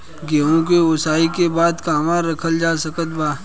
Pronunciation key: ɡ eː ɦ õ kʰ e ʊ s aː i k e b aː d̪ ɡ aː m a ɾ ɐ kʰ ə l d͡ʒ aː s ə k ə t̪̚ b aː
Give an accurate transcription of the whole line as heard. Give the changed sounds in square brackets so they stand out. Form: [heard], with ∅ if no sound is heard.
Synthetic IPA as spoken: ɡ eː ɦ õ [k] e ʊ s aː i k e b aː d̪ [k] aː m a ɾ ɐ kʰ ə l d͡ʒ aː s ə k ə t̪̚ b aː